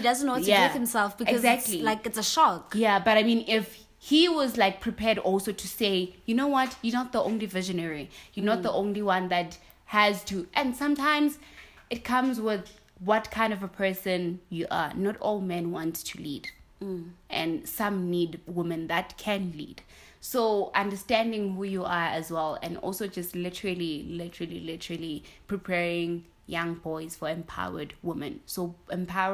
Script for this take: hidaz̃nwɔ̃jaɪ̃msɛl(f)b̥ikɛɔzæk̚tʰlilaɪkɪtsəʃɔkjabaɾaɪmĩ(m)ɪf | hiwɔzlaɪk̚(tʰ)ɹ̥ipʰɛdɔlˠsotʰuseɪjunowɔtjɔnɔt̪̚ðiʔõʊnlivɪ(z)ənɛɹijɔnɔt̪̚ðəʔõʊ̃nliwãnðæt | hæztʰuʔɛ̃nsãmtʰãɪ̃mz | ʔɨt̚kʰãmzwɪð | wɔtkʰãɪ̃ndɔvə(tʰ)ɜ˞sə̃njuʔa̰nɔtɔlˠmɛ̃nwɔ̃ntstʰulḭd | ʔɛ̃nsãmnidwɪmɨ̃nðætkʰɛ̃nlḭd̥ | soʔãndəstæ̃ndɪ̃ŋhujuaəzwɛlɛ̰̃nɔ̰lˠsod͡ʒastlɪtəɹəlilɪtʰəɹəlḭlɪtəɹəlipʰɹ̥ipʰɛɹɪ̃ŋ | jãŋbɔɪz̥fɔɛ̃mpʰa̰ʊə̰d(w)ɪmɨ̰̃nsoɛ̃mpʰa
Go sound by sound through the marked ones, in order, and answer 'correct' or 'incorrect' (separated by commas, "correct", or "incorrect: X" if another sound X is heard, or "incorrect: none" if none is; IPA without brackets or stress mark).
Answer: correct, incorrect: n, incorrect: pʰ, incorrect: ʒ, incorrect: pʰ, correct